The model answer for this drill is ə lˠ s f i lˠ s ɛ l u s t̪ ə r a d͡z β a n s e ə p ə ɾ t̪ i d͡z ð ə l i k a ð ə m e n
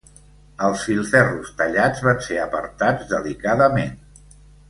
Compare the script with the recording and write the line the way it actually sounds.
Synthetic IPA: ə lˠ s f i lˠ f ɛ r u s t̪ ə ʎ a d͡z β a n s e ə p ə ɾ t̪ a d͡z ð ə l i k a ð ə m e n